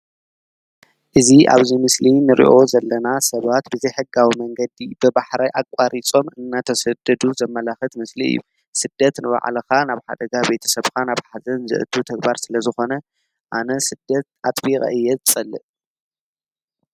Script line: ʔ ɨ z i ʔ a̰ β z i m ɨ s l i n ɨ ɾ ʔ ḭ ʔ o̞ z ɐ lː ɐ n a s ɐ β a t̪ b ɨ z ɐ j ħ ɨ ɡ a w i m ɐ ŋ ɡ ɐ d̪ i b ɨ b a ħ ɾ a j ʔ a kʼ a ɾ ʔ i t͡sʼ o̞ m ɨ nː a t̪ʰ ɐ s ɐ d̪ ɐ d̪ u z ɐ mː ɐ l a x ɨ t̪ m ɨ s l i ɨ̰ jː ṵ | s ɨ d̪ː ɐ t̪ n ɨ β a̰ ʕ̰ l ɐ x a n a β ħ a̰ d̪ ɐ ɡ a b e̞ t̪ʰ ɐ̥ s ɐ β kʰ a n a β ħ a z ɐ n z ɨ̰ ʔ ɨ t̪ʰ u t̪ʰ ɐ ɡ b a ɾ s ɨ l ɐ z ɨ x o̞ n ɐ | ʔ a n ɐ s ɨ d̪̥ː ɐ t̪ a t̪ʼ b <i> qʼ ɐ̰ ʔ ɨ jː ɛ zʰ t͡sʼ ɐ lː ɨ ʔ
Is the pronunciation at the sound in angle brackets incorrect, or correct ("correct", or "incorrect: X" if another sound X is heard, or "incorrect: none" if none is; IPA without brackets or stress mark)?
correct